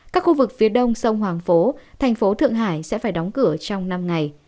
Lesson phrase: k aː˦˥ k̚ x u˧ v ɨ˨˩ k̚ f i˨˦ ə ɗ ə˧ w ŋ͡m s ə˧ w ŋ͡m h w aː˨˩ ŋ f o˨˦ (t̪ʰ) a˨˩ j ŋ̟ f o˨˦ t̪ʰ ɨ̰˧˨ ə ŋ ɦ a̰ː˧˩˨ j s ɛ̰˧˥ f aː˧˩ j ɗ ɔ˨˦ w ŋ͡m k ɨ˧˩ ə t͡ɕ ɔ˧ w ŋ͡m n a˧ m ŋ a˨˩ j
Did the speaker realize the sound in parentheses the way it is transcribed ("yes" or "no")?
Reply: yes